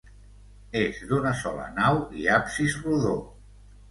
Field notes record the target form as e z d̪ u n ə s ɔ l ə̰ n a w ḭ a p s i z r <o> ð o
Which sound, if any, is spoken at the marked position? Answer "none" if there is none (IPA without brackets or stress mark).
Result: u